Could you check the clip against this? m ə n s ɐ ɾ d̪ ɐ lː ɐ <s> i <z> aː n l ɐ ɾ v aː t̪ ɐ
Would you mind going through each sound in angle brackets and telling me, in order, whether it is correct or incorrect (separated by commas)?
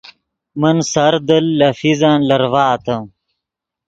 incorrect, correct